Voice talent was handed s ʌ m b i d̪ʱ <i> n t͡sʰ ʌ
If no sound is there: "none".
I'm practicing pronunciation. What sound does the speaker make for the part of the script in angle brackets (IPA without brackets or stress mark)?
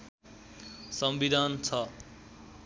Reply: a